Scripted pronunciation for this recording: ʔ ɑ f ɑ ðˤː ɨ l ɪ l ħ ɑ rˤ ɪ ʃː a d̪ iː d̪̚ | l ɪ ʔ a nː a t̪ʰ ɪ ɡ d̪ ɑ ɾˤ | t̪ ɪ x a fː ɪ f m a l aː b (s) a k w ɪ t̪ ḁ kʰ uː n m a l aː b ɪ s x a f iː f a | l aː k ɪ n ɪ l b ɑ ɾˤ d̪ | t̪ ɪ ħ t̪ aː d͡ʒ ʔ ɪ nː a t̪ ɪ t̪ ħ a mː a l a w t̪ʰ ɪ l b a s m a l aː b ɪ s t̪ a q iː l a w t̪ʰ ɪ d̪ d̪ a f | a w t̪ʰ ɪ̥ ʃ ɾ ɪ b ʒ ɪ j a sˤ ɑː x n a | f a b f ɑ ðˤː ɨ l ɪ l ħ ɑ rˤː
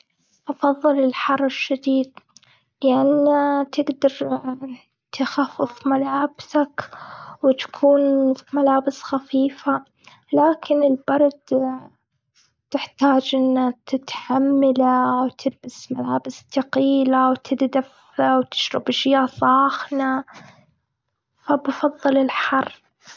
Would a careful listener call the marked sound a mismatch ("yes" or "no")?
no